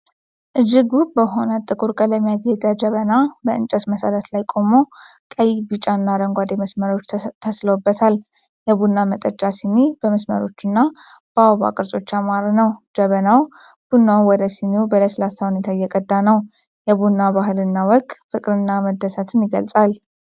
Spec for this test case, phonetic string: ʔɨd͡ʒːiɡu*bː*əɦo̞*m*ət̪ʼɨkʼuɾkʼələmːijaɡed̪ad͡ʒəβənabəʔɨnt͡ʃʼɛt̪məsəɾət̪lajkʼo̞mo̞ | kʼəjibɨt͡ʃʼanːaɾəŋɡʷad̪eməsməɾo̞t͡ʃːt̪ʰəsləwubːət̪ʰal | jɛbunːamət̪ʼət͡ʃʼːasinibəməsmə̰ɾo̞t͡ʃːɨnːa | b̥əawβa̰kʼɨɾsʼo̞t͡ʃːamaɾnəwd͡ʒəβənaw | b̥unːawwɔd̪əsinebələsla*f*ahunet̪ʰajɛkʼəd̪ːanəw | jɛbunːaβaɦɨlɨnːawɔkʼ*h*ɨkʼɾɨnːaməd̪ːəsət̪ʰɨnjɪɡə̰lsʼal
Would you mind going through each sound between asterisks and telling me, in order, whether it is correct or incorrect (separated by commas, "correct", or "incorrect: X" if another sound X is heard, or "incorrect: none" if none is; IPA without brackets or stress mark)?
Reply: incorrect: b, incorrect: n, incorrect: s, incorrect: f